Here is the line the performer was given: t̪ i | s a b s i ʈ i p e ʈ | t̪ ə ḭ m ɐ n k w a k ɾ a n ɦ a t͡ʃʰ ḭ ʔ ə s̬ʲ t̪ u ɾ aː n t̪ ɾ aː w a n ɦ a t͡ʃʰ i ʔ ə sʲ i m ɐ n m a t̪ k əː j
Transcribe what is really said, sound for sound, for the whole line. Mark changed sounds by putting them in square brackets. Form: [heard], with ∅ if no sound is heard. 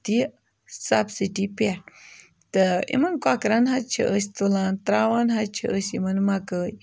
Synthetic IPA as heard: t̪ i | s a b s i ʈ i p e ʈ | t̪ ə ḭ m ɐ n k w a k ɾ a n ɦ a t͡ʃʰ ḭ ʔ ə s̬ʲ t̪ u [l] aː n t̪ ɾ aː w a n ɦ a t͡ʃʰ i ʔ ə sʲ i m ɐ n m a [∅] k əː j